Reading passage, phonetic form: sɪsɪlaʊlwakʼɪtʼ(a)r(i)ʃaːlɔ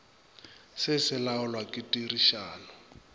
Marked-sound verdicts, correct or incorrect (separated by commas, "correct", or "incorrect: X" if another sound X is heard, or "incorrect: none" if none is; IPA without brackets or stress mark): incorrect: i, correct